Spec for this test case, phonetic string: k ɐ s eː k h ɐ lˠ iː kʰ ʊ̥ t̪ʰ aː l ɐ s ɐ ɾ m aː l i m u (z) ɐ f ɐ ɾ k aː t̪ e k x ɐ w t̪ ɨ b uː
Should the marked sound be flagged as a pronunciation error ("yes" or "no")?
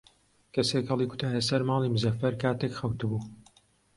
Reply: no